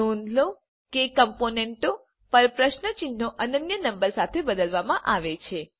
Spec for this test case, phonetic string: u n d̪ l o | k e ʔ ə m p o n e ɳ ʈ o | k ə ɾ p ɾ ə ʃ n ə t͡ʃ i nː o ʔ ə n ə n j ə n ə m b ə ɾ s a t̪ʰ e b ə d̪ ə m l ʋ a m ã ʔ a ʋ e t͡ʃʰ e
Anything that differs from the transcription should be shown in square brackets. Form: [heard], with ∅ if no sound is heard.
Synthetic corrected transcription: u n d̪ l o | k e [k] ə m p o n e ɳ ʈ o | [p] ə ɾ p ɾ ə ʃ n ə t͡ʃ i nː o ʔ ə n ə n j ə n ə m b ə ɾ s a t̪ʰ e b ə d̪ ə [∅] l ʋ a m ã ʔ a ʋ e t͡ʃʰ e